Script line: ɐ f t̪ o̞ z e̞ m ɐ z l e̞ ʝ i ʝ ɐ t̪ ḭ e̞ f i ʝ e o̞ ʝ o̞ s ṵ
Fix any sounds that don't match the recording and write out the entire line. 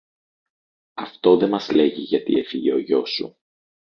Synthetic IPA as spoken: ɐ f t̪ o̞ ð e̞ m ɐ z l e̞ ʝ i ʝ ɐ t̪ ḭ e̞ f i ʝ e o̞ ʝ o̞ s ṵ